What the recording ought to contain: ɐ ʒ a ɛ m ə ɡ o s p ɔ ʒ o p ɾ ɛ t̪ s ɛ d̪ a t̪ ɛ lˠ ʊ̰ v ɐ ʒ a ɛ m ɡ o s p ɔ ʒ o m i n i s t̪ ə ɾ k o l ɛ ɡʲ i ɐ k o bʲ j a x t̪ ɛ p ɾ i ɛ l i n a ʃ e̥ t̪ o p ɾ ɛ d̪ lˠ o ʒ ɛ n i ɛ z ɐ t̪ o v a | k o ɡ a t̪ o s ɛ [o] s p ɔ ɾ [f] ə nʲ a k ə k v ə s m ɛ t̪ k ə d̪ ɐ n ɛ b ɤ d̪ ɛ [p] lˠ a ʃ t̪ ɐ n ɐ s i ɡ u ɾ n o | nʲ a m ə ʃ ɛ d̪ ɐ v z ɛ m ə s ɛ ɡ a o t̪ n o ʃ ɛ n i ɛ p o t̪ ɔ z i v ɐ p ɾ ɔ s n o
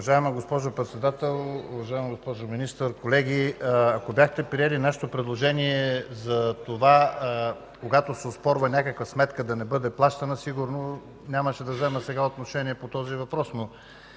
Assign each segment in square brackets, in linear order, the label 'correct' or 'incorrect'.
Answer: correct, incorrect, correct

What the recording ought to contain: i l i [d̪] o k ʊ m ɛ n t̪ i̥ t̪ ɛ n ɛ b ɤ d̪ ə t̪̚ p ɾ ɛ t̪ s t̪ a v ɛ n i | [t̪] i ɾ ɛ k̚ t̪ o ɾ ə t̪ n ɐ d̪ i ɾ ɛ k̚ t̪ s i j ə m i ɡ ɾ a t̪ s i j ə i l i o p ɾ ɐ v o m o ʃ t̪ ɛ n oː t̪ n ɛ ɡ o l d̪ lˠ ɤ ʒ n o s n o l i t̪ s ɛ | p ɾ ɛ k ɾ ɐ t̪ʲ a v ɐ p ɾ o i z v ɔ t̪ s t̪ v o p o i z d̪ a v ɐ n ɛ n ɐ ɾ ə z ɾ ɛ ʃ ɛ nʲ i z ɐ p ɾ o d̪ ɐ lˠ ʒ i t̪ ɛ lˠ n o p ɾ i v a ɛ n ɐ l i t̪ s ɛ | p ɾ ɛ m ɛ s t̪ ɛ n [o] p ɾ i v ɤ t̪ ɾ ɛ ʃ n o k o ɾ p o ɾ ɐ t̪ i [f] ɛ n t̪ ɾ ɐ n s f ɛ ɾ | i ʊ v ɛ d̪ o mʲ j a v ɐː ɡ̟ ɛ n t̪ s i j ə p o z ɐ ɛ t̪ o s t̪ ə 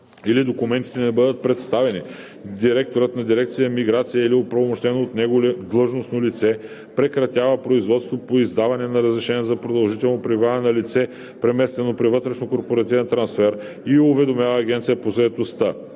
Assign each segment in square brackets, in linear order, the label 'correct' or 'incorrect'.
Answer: correct, incorrect, correct, incorrect

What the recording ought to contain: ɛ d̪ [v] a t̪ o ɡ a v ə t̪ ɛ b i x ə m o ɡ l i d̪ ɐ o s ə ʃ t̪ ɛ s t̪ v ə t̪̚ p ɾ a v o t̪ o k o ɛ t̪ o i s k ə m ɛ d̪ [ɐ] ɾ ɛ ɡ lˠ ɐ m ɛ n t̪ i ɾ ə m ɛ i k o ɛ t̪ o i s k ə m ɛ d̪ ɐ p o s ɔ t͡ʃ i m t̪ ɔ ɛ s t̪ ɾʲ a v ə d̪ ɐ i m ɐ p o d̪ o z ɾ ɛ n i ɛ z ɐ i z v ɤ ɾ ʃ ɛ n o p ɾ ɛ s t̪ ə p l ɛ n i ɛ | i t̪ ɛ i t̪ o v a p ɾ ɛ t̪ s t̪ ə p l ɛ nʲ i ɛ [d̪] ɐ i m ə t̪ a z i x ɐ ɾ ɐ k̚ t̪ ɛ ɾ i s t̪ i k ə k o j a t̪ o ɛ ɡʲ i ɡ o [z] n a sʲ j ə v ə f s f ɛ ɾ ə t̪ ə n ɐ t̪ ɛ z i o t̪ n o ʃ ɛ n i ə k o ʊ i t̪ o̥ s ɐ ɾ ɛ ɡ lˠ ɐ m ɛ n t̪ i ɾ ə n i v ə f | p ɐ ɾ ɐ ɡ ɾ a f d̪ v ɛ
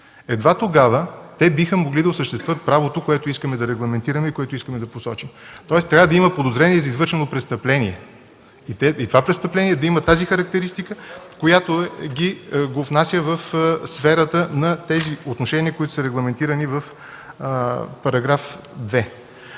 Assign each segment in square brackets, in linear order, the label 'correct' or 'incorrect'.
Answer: correct, correct, correct, incorrect

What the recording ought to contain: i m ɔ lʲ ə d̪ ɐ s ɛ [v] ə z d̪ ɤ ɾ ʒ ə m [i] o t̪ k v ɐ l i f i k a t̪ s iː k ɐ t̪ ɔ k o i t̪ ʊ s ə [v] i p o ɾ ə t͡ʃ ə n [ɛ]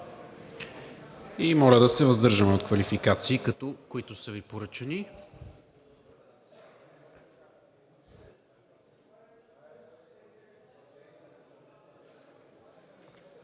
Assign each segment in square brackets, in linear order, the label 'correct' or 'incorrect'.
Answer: correct, incorrect, correct, incorrect

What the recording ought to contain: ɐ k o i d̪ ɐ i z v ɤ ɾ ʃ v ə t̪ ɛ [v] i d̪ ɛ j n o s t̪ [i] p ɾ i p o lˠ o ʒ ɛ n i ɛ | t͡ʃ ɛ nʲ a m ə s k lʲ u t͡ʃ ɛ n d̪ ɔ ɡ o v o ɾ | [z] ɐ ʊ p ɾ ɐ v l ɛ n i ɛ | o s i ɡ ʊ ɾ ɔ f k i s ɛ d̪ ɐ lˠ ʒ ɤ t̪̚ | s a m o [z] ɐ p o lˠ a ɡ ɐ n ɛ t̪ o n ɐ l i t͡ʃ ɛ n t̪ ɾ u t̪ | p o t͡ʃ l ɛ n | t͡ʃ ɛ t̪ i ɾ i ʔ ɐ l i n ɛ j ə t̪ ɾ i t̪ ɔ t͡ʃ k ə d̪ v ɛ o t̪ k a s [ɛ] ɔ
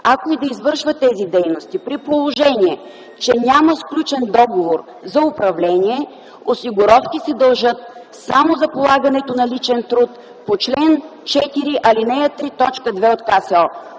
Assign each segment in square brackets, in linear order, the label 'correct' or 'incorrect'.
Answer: incorrect, correct, correct, correct, correct

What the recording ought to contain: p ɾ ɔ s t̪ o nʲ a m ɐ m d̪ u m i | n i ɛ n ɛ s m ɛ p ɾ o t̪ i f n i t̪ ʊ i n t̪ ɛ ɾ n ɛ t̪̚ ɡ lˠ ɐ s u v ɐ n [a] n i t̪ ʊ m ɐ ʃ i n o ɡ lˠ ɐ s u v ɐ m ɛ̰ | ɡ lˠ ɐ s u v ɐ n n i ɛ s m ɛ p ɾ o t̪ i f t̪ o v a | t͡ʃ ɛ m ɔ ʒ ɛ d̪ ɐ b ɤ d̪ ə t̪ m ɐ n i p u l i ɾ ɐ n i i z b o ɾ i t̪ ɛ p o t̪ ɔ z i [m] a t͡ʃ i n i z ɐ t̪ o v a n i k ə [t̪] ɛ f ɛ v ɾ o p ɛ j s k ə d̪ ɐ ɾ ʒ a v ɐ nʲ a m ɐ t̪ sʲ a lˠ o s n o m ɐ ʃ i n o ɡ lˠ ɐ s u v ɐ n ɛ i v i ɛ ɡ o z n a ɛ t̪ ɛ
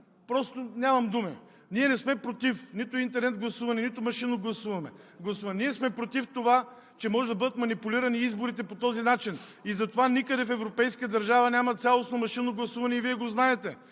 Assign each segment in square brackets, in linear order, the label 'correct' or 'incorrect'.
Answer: incorrect, incorrect, incorrect

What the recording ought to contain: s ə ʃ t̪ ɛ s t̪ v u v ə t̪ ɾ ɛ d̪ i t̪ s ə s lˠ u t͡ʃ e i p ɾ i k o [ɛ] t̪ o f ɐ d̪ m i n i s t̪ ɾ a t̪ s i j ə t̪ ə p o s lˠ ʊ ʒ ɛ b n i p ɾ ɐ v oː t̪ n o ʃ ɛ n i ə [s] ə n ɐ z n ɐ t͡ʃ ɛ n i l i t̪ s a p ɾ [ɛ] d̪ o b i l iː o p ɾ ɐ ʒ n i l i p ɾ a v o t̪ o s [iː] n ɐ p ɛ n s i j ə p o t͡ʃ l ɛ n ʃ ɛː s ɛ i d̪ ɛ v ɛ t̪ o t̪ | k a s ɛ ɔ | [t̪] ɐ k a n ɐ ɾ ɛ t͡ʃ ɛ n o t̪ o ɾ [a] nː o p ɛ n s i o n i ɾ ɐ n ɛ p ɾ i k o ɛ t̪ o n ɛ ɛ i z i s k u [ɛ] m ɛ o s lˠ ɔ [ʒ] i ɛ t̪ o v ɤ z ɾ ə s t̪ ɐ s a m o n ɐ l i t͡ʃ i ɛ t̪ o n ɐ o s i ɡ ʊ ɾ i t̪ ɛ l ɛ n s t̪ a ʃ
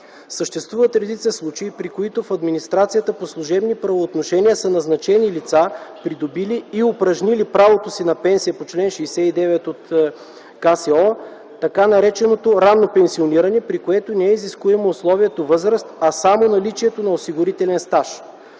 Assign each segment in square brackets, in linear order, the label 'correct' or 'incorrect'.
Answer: incorrect, correct, incorrect, incorrect, correct, correct, correct, incorrect

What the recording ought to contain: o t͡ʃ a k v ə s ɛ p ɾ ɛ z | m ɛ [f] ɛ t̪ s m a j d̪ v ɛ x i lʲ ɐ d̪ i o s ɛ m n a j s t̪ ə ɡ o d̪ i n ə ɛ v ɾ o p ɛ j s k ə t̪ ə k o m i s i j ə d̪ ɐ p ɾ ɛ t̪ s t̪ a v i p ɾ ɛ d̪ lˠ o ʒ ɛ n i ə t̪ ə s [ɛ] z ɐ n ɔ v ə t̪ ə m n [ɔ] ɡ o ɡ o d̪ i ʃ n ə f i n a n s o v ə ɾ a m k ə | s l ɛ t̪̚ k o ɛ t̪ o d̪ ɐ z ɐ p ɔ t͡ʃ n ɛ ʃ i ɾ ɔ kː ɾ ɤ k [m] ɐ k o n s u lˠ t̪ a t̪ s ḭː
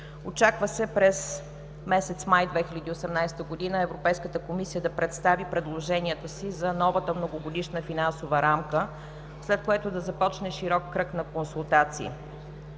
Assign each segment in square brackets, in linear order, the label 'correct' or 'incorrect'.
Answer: incorrect, incorrect, incorrect, incorrect

